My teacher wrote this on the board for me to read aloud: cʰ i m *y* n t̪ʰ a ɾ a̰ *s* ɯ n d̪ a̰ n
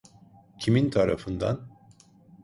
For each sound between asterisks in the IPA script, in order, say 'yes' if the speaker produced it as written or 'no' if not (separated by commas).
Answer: no, no